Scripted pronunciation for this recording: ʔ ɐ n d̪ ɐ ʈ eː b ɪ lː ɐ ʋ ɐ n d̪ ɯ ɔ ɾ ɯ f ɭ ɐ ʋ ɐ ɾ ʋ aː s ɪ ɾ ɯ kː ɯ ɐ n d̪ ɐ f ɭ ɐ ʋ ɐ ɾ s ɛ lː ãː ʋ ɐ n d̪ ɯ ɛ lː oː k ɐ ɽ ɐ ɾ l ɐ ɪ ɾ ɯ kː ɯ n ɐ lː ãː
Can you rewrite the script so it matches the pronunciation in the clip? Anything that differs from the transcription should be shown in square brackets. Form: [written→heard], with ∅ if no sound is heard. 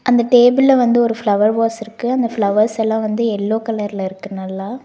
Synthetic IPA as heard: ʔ ɐ n d̪ ɐ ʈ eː b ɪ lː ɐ ʋ ɐ n d̪ ɯ ɔ ɾ ɯ f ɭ ɐ ʋ ɐ ɾ ʋ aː s ɪ ɾ ɯ kː ɯ ɐ n d̪ ɐ f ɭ ɐ ʋ ɐ ɾ s ɛ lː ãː ʋ ɐ n d̪ ɯ ɛ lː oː k ɐ [ɽ→l] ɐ ɾ l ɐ ɪ ɾ ɯ kː ɯ n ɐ lː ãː